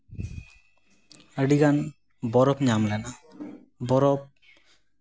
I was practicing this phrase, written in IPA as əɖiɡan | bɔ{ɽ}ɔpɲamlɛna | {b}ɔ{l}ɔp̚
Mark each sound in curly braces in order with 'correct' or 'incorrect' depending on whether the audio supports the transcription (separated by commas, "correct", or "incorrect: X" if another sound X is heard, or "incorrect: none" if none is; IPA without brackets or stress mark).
incorrect: ɾ, correct, incorrect: ɾ